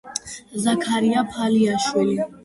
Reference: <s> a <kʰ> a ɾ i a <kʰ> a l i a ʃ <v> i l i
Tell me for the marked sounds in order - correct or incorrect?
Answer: incorrect, correct, incorrect, incorrect

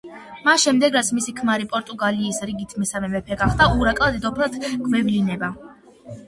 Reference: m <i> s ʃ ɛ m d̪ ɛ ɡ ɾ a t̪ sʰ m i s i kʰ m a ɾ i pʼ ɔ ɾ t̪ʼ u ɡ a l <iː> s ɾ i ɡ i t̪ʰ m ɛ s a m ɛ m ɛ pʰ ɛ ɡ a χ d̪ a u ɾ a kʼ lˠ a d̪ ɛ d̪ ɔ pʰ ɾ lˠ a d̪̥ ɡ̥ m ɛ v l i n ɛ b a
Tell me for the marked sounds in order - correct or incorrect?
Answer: incorrect, correct

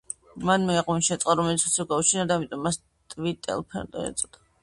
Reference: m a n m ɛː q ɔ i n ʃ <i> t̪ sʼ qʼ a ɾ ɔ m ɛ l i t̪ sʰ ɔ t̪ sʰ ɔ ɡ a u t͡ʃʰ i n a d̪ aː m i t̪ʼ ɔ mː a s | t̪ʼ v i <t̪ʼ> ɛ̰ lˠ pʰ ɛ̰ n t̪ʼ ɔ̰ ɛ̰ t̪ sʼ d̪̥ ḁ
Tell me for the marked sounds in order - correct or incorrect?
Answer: incorrect, correct

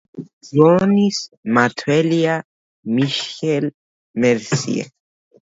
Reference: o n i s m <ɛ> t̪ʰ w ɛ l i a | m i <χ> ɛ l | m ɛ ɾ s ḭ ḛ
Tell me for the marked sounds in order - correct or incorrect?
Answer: incorrect, incorrect

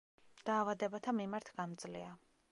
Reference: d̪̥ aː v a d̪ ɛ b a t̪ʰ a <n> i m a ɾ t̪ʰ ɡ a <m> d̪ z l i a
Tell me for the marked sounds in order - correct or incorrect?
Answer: incorrect, correct

